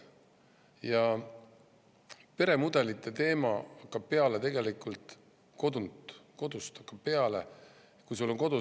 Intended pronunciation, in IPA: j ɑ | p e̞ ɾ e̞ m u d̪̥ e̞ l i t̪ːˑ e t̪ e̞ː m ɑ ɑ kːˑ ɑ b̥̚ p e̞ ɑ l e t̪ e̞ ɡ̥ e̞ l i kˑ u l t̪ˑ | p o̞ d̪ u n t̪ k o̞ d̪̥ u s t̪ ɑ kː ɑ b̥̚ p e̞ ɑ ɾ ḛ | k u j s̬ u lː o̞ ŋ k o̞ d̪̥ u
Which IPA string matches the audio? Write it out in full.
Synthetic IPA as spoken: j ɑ | p e̞ ɾ e̞ m u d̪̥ e̞ l i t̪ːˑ e t̪ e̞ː m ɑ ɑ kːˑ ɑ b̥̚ p e̞ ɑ l e t̪ e̞ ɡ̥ e̞ l i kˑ u l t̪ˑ | k o̞ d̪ u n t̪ k o̞ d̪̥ u s t̪ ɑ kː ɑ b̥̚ p e̞ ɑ l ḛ | k u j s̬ u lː o̞ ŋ k o̞ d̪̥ u